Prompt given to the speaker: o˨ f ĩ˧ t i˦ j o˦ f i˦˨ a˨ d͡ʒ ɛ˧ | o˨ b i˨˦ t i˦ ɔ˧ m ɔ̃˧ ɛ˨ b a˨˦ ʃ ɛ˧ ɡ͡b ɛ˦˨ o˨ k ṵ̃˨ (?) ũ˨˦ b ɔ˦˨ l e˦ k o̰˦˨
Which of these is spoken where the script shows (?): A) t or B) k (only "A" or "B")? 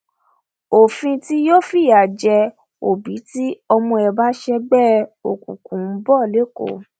B